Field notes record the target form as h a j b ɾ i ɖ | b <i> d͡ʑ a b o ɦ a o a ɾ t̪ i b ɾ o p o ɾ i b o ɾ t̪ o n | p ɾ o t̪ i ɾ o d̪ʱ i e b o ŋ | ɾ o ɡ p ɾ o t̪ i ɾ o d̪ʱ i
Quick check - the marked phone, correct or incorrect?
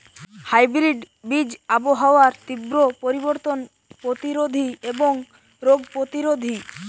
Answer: correct